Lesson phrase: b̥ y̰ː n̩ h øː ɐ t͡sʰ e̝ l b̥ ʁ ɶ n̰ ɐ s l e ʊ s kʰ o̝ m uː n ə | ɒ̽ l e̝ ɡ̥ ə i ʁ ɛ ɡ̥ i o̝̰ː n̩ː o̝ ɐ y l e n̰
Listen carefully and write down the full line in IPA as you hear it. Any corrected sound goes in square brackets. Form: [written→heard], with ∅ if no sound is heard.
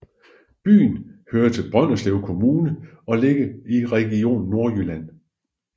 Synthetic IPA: b̥ y̰ː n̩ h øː ɐ t͡sʰ e̝ l b̥ ʁ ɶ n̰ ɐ s l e ʊ [s→∅] kʰ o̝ m uː n ə | ɒ̽ l e̝ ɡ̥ ə i ʁ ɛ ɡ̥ i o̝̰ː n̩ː o̝ ɐ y l [e→æ] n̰